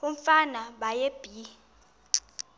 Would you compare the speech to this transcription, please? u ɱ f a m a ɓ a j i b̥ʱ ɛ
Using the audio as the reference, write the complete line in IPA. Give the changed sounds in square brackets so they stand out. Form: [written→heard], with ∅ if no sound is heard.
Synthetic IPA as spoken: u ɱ f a [m→n] a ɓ a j [i→e] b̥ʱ [ɛ→i]

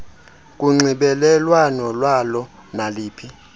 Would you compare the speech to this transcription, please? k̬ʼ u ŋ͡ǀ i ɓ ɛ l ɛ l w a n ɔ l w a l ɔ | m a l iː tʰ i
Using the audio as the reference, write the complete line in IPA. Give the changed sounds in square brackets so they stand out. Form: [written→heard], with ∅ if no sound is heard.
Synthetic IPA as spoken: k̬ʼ u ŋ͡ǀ i ɓ ɛ l ɛ l w a n ɔ l w a l ɔ | [m→n] a l iː [tʰ→pʰ] i

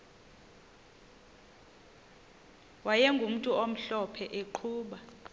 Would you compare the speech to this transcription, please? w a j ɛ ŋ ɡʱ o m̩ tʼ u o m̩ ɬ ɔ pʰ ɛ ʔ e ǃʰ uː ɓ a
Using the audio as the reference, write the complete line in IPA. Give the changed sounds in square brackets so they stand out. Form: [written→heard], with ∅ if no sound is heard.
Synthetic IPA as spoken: w a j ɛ ŋ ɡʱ [o→u] m̩ tʼ u o m̩ ɬ ɔ pʰ ɛ ʔ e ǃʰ uː ɓ a

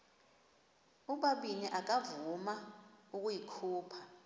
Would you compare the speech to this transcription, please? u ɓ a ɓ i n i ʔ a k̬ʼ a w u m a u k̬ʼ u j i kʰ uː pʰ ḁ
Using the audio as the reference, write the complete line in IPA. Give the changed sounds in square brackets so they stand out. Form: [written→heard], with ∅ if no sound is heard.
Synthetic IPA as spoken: u ɓ a ɓ i n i ʔ a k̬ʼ a [w→v] u m a u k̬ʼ u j i kʰ uː pʰ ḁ

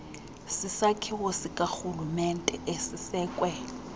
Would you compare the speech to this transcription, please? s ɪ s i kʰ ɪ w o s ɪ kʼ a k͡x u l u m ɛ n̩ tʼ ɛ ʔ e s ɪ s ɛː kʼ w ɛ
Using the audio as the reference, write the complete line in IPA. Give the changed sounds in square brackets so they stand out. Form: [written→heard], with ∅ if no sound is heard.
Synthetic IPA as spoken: s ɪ s [i→a] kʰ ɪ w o s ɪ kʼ a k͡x u l u m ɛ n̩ tʼ ɛ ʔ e s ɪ s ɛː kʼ w ɛ

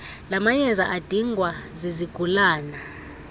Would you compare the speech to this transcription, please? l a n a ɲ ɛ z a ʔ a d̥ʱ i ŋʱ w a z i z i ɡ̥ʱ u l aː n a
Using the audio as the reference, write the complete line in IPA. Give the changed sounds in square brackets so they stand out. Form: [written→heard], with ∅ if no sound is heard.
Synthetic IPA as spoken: l a [n→m] a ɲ ɛ z a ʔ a d̥ʱ i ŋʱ w a z i z i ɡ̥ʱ u l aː n a

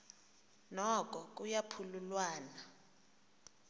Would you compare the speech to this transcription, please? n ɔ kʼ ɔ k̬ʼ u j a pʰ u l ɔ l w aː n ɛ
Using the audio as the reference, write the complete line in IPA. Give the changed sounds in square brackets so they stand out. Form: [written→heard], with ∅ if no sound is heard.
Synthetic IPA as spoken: n ɔ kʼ ɔ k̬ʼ u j a pʰ u l [ɔ→u] l w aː n [ɛ→a]

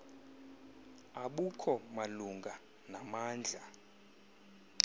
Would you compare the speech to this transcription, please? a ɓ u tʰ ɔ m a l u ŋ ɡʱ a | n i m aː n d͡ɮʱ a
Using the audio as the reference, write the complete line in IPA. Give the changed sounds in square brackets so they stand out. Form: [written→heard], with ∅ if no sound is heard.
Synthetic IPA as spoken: a ɓ u [tʰ→kʰ] ɔ m a l u ŋ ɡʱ a | n [i→a] m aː n d͡ɮʱ a

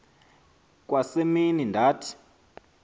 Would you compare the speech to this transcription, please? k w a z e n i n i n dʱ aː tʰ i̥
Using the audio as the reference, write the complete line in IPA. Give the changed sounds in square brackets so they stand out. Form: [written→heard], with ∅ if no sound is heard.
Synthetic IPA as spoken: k w a [z→s] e [n→m] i n i n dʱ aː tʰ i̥

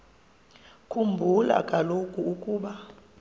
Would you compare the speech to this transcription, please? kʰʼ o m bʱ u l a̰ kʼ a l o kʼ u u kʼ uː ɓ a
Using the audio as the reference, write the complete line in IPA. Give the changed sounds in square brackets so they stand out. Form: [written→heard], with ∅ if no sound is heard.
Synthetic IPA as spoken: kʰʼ [o→u] m bʱ u l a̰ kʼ a l o kʼ u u kʼ uː ɓ a

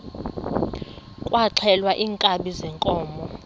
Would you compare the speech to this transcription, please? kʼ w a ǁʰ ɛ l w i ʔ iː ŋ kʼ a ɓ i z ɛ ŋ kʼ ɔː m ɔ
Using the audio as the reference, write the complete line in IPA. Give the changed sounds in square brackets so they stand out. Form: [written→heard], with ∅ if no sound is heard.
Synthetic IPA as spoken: kʼ w a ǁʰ ɛ l w [i→a] ʔ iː ŋ kʼ a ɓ i z ɛ ŋ kʼ ɔː m ɔ

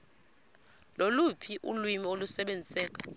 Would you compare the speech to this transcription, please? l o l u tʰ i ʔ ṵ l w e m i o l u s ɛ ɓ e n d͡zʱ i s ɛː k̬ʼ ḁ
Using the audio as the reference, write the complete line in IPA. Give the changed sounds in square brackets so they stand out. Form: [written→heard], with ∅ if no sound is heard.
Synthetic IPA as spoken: l o l u [tʰ→pʰ] i ʔ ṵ l w [e→i] m i o l u s ɛ ɓ e n d͡zʱ i s ɛː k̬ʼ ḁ

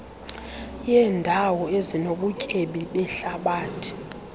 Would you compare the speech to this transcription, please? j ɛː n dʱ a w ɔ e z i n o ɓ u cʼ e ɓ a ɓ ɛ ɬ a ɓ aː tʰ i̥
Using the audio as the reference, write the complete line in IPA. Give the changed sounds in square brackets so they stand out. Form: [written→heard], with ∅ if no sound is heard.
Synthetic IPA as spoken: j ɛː n dʱ a w ɔ e z i n o ɓ u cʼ e ɓ [a→i] ɓ ɛ ɬ a ɓ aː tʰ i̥

